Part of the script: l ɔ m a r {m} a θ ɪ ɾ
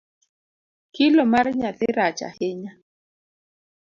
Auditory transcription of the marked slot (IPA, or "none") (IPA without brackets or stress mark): ɲ